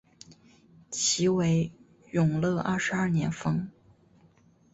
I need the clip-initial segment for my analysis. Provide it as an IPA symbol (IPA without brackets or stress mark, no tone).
t͡ɕʰ